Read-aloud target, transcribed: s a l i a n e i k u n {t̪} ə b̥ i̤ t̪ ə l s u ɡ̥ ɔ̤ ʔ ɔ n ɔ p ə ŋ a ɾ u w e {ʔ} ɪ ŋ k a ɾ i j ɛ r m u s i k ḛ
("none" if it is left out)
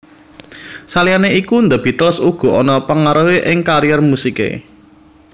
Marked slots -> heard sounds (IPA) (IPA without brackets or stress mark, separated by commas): d̪, ʔ